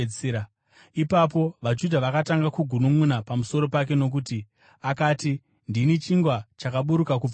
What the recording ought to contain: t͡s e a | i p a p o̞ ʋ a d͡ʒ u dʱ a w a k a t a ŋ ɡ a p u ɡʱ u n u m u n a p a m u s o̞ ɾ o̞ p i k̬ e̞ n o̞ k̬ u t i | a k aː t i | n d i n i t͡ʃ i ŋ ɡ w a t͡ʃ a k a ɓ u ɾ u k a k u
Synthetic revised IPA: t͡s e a | i p a p o̞ ʋ a d͡ʒ u dʱ a ʋ a k a t a ŋ ɡ a k u ɡʱ u n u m u n a p a m u s o̞ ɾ o̞ p a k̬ e̞ n o̞ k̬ u t i | a k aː t i | n d i n i t͡ʃ i ŋ ɡ w a t͡ʃ a k a ɓ u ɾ u k a k u